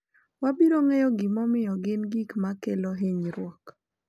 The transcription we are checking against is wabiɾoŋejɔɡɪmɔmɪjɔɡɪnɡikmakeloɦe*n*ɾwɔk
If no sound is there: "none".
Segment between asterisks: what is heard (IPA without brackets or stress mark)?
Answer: ɲ